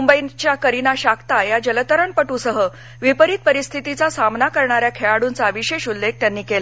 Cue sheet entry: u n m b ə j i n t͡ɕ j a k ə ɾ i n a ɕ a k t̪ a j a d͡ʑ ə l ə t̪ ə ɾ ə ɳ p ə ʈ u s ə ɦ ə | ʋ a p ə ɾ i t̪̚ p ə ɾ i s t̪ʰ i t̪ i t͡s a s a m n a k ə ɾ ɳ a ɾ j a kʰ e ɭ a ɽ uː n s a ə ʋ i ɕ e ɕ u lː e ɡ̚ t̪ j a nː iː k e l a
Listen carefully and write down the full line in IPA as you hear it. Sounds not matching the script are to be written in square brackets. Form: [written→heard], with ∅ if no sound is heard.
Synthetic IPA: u [n→∅] m b ə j i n t͡ɕ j a k ə ɾ i n a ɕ a k t̪ a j a d͡ʑ ə l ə t̪ ə ɾ ə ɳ p ə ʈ u s ə ɦ ə | ʋ [a→i] p ə ɾ i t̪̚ p ə ɾ i s t̪ʰ i t̪ i t͡s a s a m n a k ə ɾ ɳ a ɾ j a kʰ e ɭ a ɽ uː n [s→t͡s] a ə ʋ i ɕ e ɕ u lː e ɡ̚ t̪ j a nː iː k e l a